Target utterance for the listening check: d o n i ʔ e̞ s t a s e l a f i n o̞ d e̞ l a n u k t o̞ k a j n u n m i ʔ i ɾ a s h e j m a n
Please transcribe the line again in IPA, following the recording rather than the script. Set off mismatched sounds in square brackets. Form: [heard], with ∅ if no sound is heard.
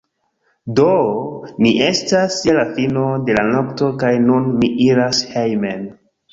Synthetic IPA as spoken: d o n i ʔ e̞ s t a s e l a f i n o̞ d e̞ l a n [o] k t o̞ k a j n u n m i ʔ i ɾ a s h e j m [e] n